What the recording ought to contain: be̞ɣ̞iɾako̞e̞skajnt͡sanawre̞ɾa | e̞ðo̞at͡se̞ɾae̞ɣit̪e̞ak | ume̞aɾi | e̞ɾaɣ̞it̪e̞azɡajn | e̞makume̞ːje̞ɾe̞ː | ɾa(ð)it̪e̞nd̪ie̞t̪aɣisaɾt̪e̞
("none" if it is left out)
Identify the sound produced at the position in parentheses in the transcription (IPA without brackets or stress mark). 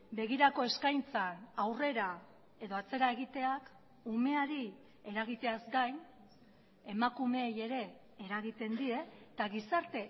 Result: ɣ